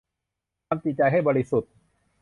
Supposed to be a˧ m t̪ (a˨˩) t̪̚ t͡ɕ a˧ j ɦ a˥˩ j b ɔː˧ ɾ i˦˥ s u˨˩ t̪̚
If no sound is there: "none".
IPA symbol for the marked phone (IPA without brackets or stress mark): i˨˩